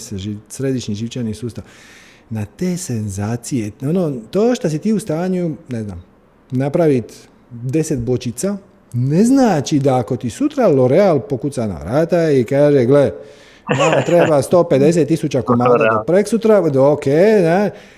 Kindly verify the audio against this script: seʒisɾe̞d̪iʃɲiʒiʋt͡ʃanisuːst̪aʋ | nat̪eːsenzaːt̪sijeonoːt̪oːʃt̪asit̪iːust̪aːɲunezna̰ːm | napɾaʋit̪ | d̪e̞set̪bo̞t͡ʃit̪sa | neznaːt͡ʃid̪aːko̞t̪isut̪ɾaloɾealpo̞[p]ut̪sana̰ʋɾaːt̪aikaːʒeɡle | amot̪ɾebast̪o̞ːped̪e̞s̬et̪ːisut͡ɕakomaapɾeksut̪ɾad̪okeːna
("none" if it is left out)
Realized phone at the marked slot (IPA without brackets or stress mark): k